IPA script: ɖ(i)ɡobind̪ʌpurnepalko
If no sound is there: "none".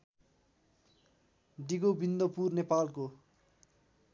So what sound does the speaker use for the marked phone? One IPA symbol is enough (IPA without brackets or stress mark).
i